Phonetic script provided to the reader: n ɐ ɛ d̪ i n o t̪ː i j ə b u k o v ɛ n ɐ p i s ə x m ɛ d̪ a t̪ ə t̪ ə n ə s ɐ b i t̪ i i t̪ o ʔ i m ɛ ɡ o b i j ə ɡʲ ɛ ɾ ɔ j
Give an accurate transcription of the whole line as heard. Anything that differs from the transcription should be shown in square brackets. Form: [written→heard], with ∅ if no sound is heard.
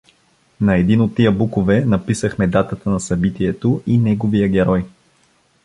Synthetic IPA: n ɐ ɛ d̪ i n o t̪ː i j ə b u k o v ɛ n ɐ p i s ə x m ɛ d̪ a t̪ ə t̪ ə n [ə→ɐ] s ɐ b i t̪ i [i→ɛ] t̪ o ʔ i [m→n] ɛ ɡ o [b→v] i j ə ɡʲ ɛ ɾ ɔ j